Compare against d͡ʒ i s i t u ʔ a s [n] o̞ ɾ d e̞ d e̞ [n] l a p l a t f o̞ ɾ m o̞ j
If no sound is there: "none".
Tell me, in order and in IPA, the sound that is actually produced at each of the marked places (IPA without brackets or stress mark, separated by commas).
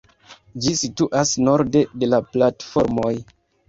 n, none